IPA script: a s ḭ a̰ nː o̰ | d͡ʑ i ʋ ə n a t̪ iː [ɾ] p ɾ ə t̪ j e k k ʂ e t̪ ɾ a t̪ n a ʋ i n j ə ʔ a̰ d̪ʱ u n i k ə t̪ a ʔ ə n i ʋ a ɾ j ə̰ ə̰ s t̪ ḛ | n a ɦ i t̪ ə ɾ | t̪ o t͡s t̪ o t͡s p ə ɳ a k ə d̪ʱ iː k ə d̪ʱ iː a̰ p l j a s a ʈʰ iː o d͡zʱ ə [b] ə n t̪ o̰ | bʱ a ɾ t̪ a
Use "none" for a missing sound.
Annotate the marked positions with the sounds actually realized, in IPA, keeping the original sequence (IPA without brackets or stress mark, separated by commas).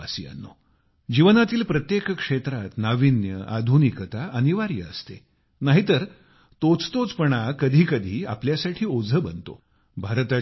l, b